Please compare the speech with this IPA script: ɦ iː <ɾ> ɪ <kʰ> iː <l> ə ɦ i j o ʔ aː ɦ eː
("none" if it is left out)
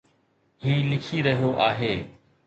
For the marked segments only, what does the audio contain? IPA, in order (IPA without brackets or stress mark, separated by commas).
l, kʰ, ɾ